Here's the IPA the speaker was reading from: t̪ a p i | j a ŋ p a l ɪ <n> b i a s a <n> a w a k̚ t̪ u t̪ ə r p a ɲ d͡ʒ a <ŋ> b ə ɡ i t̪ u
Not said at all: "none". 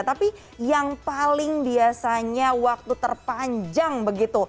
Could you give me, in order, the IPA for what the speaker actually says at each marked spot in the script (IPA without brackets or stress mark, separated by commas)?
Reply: ŋ, ɲ, ŋ